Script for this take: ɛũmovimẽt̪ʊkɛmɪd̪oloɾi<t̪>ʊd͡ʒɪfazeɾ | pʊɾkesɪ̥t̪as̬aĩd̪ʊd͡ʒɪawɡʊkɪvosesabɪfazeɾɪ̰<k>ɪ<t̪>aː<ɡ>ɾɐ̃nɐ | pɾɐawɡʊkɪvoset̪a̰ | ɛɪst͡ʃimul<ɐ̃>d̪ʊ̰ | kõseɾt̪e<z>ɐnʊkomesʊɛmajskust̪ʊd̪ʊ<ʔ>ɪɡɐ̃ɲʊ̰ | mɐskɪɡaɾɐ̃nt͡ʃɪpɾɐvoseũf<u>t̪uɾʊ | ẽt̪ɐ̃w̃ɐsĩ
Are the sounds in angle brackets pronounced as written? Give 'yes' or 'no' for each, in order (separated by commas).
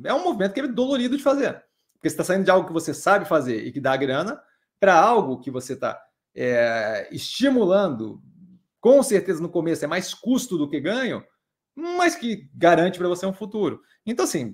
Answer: no, yes, no, yes, yes, yes, no, yes